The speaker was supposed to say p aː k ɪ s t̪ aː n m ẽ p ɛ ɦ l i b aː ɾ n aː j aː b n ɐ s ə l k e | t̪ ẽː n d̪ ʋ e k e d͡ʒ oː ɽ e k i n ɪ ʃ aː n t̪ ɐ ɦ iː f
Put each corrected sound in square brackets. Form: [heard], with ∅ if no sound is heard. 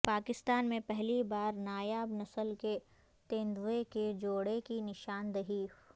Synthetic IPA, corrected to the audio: p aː k ɪ s t̪ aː n m ẽ p ɛ ɦ l i b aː ɾ n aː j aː b n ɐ s ə l k e | t̪ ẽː n d̪ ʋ e k e d͡ʒ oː ɽ e k i n ɪ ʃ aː n [d̪] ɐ ɦ iː f